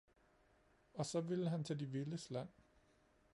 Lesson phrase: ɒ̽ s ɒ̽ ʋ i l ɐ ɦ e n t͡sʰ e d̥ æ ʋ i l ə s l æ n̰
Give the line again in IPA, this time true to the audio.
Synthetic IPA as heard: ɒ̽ s ɒ̽ ʋ i l ə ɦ æ n t͡sʰ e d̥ i ʋ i l ə s l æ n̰